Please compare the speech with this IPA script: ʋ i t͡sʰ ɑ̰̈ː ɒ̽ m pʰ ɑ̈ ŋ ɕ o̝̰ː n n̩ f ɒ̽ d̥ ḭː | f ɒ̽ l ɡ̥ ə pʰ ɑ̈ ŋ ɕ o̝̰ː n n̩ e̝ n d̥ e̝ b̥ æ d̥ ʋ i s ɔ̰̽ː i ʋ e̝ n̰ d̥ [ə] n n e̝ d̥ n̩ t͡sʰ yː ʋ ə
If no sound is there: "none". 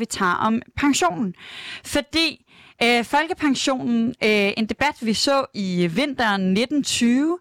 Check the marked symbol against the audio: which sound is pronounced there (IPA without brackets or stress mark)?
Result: ɐ